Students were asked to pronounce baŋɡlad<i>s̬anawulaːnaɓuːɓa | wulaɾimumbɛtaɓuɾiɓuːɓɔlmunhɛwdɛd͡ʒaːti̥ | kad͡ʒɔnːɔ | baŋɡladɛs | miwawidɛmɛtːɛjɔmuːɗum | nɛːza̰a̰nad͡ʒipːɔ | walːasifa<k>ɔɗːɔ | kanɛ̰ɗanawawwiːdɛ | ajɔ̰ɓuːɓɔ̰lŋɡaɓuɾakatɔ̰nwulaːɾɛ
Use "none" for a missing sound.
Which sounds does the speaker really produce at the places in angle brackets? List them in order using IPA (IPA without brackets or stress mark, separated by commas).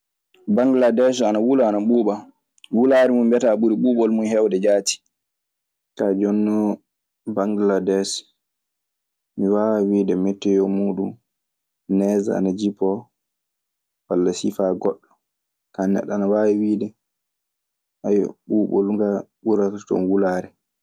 ɛ, ɡ